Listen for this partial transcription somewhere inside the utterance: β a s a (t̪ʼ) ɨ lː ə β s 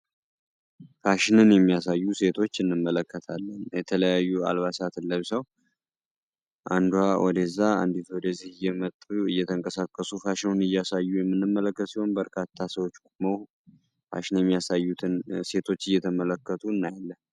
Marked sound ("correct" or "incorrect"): incorrect